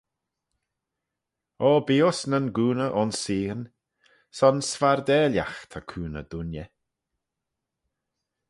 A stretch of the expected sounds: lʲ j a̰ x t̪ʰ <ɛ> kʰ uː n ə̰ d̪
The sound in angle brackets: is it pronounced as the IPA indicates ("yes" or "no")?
no